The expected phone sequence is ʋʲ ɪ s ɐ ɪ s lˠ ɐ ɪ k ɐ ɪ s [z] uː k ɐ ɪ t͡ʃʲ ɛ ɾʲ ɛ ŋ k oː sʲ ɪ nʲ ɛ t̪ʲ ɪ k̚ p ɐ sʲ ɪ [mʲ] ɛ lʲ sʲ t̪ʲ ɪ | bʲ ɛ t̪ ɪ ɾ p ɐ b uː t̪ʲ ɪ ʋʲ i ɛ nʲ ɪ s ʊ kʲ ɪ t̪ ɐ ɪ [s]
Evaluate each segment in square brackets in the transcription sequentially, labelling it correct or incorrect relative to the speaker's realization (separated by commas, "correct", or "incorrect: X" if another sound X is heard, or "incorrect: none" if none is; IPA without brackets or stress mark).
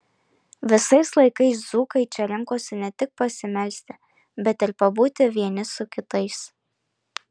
correct, correct, correct